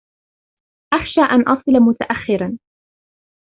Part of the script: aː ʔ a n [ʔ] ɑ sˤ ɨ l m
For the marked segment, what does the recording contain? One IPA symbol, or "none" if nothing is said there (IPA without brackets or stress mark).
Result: ʔ